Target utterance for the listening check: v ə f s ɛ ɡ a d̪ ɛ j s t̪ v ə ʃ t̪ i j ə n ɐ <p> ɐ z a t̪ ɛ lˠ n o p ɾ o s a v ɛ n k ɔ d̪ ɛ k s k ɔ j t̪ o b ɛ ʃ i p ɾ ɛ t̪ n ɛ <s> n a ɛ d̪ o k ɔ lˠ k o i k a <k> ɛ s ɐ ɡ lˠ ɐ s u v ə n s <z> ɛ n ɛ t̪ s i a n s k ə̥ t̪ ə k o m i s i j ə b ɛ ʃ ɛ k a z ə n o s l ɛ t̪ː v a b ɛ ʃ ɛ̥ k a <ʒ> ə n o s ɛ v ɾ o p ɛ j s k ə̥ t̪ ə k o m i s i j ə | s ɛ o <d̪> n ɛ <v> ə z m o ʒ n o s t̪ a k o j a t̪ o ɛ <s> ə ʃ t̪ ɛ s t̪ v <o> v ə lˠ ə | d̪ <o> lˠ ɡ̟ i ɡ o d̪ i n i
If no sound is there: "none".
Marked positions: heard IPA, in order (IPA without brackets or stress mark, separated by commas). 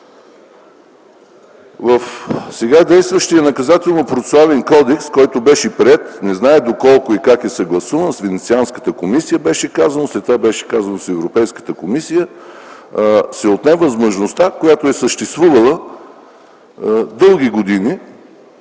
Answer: k, z, k, v, z, t̪, v, s, u, ɤ